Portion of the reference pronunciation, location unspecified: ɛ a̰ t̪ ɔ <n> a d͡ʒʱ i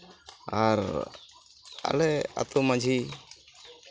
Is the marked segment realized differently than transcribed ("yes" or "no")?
yes